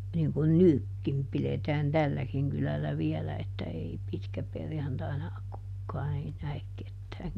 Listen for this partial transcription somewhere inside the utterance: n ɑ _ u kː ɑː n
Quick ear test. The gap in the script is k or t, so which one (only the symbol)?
k